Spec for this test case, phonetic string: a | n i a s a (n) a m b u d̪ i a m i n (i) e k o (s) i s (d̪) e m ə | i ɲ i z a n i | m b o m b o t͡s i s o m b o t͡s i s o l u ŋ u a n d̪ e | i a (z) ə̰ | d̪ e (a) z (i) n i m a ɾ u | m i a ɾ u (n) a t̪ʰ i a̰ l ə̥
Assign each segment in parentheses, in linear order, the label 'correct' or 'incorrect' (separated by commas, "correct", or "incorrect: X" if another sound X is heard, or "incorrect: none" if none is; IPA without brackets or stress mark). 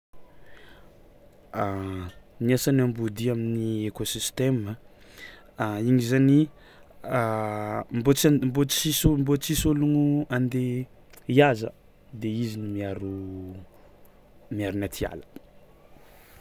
correct, correct, correct, incorrect: t̪, correct, incorrect: i, correct, correct